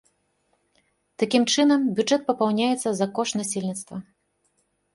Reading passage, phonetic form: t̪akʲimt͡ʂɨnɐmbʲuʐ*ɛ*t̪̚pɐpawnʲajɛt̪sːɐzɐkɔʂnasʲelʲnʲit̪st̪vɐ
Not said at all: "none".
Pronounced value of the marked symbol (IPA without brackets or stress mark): ɛ